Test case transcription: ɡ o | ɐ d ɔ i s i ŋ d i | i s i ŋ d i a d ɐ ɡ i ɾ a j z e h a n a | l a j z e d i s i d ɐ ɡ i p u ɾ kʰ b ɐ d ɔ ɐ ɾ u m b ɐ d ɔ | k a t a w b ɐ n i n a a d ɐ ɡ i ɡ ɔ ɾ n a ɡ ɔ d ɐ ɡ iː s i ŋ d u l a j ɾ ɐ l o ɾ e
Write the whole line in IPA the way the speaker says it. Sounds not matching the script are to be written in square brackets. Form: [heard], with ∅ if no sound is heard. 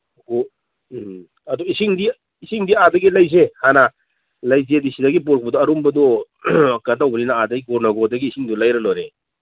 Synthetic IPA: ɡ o | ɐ d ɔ i s i ŋ d i | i s i ŋ d i a d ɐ ɡ i [l] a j z e h a n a | l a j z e d i s i d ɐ ɡ i p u ɾ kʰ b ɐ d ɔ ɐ ɾ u m b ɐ d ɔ | k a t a w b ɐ n i n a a d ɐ ɡ i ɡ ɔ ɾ n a ɡ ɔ d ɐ ɡ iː s i ŋ d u l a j ɾ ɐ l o ɾ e